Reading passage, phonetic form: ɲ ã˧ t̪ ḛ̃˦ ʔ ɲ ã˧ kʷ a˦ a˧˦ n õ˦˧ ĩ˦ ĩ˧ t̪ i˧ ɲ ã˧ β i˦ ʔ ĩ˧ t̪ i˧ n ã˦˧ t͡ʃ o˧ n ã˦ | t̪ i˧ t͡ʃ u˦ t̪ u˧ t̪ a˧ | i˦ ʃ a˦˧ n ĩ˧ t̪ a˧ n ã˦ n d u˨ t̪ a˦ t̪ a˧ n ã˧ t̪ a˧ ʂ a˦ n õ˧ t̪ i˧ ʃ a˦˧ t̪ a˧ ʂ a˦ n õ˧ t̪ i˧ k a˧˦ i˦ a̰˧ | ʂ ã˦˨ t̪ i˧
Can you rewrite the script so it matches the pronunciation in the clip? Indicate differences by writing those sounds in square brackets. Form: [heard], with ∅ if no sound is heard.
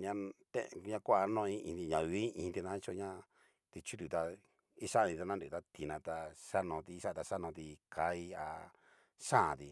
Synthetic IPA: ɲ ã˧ t̪ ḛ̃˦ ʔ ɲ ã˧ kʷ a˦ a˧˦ n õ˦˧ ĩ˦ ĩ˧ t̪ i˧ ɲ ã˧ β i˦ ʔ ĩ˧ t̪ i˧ n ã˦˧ t͡ʃ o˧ [ɲ] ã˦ | t̪ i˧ t͡ʃ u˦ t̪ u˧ t̪ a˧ | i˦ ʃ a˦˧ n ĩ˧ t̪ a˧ n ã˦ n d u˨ t̪ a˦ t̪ [i˧] n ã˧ t̪ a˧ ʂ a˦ n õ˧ t̪ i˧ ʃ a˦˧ t̪ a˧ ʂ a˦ n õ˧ t̪ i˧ k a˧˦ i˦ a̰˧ | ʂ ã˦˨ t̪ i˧